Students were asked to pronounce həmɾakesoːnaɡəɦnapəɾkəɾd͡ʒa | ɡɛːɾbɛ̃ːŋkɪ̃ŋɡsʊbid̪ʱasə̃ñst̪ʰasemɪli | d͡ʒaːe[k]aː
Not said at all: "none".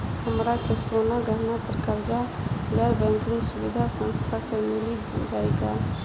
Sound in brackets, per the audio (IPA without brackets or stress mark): ɡ